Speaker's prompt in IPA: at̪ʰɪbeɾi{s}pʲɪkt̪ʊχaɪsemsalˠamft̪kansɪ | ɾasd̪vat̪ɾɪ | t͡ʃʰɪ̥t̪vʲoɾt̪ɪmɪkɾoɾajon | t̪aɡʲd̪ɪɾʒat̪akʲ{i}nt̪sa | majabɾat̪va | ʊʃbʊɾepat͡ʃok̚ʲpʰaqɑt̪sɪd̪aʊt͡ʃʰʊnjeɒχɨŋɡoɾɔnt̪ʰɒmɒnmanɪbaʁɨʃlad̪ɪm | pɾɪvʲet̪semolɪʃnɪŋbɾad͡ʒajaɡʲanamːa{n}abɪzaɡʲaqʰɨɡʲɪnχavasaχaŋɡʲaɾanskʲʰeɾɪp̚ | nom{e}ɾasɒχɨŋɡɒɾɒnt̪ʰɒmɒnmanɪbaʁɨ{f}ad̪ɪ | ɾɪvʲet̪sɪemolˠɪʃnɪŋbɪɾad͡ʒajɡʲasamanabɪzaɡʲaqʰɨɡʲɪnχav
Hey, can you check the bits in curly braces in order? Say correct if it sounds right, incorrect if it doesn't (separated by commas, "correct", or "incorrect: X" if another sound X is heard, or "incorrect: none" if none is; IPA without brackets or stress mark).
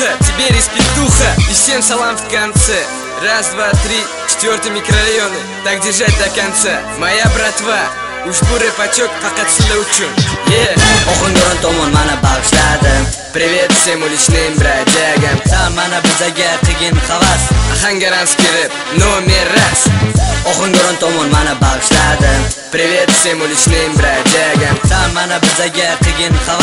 correct, incorrect: a, correct, correct, incorrect: ʃ